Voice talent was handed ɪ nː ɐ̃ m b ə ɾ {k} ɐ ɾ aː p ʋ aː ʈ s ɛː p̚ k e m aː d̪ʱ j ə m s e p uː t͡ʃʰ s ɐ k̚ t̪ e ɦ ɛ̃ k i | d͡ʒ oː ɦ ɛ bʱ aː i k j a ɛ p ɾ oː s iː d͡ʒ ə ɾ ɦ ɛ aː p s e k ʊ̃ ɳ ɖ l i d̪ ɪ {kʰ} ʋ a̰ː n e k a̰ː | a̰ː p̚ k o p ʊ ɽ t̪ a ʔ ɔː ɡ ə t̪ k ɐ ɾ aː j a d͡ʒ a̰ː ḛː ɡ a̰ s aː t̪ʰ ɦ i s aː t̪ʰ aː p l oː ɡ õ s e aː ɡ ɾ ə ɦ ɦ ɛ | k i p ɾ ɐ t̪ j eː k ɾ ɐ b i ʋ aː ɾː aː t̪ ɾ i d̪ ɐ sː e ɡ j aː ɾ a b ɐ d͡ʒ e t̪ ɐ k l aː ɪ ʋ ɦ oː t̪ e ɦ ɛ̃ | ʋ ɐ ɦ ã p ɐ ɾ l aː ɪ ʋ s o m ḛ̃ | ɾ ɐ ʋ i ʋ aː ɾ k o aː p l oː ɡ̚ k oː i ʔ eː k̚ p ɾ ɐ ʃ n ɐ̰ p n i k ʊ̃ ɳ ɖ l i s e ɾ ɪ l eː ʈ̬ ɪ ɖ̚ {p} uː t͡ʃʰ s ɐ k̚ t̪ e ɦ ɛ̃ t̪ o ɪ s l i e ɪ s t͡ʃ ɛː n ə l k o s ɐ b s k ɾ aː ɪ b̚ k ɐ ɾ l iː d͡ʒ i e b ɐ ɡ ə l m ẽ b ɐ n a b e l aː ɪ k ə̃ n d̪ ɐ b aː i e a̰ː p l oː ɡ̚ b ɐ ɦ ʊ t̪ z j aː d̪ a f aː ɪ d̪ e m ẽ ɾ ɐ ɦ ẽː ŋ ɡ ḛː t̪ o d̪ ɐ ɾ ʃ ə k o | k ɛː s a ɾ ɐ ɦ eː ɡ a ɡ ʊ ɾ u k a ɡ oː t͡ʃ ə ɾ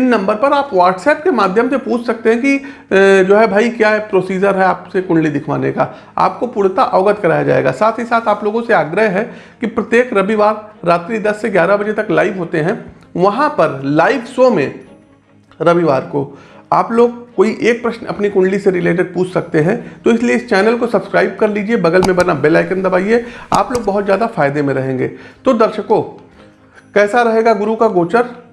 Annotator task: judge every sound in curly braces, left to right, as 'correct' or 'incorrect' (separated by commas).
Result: incorrect, correct, correct